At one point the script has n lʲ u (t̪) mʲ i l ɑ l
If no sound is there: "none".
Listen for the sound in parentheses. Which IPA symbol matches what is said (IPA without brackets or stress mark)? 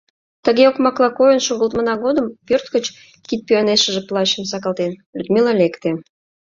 d̪